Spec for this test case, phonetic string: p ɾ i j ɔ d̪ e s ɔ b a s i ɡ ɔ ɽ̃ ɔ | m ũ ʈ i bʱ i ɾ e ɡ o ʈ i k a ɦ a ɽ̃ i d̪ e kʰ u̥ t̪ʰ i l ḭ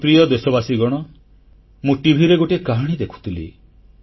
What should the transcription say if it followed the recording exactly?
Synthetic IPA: p ɾ i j ɔ d̪ e s ɔ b a s i ɡ ɔ ɽ̃ ɔ | m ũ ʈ i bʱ i ɾ e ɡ o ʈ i k a ɦ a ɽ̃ i d̪ e kʰ u̥ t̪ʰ i l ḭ